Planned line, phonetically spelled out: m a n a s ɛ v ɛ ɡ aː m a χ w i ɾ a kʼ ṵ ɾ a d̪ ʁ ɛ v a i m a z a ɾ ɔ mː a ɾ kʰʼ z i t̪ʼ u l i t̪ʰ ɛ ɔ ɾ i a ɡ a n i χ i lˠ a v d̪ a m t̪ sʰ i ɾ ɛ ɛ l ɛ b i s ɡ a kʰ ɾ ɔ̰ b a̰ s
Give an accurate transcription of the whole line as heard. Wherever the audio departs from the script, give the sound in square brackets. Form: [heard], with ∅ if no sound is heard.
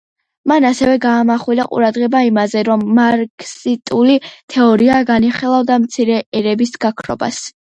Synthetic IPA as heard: m a n a s ɛ v ɛ ɡ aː m a χ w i [l] a [qʼ] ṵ ɾ a d̪ ʁ ɛ [b] a i m a z [ɛ] ɾ ɔ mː a ɾ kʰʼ [s] i t̪ʼ u l i t̪ʰ ɛ ɔ ɾ i a ɡ a n i χ i lˠ a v d̪ a m t̪ sʰ i ɾ ɛ ɛ [ɾ] ɛ b i s ɡ a kʰ ɾ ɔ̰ b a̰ s